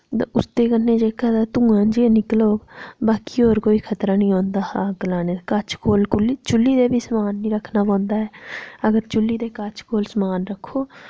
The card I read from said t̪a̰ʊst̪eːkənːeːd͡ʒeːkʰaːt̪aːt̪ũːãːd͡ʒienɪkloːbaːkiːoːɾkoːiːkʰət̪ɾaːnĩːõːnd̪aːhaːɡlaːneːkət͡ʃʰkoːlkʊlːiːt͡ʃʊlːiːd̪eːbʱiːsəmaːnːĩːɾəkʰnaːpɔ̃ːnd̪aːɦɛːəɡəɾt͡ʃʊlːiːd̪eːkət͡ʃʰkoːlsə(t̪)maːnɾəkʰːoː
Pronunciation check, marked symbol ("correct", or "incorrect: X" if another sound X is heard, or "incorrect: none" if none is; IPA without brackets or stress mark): incorrect: none